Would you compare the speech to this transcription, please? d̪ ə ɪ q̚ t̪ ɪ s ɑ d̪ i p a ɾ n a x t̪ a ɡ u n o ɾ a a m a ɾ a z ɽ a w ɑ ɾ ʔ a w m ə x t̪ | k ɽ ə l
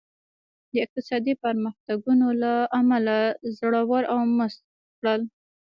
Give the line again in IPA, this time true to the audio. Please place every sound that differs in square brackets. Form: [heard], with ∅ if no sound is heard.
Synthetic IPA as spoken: d̪ ə ɪ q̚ t̪ ɪ s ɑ d̪ i p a ɾ [m] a x t̪ a ɡ u n o [l] a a m a [l] a z ɽ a w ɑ ɾ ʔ a w m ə [s] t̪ | k ɽ ə l